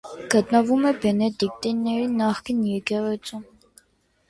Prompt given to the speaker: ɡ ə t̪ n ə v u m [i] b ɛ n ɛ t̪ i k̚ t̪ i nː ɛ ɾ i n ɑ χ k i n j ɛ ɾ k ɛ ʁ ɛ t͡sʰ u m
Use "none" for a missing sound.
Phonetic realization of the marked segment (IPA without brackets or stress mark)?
ɛ